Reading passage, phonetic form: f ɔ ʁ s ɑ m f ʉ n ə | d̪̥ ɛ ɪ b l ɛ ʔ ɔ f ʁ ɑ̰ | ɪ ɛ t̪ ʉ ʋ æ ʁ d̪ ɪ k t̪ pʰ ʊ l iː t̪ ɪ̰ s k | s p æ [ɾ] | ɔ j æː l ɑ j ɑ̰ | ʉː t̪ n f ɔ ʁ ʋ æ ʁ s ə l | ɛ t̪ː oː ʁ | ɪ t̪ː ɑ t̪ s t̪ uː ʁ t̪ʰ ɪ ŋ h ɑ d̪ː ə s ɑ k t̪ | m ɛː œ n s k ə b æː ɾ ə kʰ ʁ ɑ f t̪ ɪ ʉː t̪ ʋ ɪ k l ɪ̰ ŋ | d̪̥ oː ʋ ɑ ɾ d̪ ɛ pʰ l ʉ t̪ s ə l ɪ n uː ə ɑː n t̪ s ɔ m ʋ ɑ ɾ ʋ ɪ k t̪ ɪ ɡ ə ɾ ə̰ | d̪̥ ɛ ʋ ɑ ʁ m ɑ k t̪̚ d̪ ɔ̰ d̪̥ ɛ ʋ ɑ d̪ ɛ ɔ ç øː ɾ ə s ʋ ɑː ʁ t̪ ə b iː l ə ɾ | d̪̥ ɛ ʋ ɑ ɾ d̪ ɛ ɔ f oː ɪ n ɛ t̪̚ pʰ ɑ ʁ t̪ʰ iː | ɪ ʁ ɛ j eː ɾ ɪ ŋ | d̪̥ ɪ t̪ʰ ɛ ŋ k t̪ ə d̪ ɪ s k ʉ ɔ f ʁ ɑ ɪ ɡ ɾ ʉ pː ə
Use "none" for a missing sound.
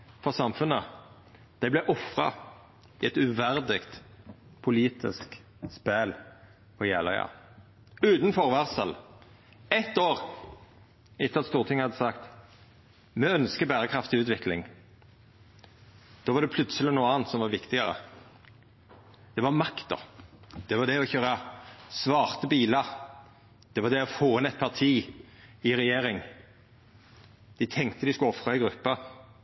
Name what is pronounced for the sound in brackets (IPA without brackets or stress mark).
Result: l